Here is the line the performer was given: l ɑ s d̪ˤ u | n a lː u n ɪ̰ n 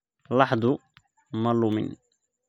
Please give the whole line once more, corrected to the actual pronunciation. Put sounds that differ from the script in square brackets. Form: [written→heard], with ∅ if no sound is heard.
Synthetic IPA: l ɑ [s→ħ] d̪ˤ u | [n→m] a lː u [n→m] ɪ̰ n